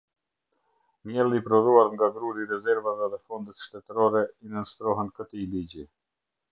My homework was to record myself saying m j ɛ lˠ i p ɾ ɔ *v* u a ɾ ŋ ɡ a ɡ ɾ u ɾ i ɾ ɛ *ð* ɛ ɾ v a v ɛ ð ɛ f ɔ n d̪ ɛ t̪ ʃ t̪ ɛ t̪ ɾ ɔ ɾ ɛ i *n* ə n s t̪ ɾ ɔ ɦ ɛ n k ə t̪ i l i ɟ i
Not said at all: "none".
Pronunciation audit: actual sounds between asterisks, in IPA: ð, z, n

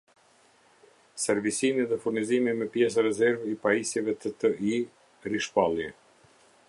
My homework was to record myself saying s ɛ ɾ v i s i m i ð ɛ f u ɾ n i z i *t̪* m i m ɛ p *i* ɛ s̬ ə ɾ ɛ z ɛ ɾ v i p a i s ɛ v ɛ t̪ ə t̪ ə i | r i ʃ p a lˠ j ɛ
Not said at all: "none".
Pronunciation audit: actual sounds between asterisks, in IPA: none, j

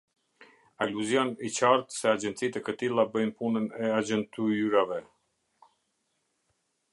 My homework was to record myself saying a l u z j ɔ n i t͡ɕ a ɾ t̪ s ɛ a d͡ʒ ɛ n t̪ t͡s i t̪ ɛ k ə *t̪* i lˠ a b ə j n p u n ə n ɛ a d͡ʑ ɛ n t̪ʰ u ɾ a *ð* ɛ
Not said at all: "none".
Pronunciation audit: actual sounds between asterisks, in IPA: t̪, v

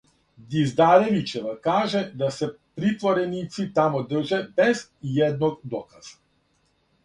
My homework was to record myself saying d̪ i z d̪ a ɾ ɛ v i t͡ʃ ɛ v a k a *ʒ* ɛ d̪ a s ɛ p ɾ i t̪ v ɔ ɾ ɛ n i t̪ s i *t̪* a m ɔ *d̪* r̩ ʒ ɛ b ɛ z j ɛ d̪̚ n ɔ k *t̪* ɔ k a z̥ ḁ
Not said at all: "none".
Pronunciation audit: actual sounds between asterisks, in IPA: ʒ, t̪, d̪, d̪

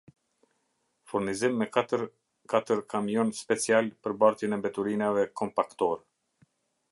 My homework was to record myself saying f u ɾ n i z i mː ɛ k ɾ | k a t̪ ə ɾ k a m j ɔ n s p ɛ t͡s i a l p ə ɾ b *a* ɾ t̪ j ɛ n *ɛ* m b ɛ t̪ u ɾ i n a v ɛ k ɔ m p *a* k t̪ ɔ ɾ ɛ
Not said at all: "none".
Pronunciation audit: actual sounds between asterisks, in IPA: a, ɛ, a

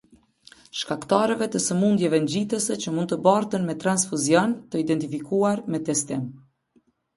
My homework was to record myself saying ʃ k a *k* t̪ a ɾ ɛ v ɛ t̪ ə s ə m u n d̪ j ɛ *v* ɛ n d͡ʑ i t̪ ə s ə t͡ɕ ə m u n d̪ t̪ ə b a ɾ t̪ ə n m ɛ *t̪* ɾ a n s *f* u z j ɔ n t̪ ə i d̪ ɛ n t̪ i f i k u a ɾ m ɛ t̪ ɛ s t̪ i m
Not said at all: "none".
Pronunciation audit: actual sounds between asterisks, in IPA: k, v, t̪, f

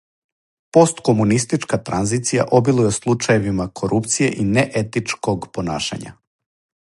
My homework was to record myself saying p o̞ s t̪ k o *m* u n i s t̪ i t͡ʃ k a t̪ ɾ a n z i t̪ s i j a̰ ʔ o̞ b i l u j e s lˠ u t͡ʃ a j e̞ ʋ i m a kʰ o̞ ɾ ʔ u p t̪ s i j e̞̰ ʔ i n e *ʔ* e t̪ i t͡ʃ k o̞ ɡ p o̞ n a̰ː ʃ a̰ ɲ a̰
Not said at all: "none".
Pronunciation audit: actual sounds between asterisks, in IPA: m, ʔ

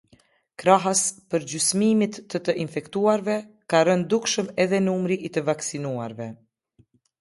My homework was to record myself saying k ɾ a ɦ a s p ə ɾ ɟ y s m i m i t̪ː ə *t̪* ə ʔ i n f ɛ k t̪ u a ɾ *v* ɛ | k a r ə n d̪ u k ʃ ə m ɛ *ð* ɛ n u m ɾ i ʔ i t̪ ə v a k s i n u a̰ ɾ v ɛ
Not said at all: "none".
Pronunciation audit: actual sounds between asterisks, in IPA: t̪, v, ð

